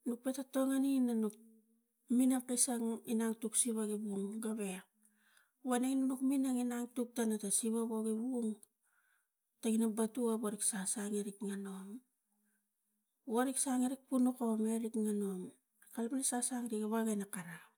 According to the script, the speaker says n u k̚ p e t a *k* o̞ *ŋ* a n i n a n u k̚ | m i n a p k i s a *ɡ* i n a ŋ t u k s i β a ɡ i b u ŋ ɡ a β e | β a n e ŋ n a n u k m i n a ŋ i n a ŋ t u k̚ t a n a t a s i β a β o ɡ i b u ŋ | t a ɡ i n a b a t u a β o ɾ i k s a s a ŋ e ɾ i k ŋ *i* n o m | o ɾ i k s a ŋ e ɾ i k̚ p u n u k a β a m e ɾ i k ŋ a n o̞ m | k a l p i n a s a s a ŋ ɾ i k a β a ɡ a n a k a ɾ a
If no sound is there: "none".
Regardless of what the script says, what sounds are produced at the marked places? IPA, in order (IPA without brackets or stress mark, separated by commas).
t, ŋ, ŋ, a